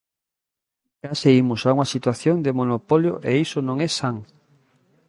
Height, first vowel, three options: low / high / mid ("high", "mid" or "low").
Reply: low